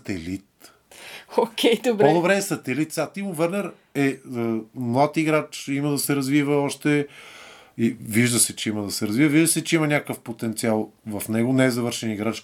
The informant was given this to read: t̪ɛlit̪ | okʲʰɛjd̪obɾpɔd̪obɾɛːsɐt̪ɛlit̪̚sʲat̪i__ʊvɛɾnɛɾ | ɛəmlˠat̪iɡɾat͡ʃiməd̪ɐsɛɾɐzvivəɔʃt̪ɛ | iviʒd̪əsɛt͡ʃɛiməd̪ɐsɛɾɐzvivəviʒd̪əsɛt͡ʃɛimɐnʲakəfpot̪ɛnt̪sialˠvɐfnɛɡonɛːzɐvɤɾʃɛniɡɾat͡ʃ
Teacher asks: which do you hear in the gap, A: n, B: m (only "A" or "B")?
B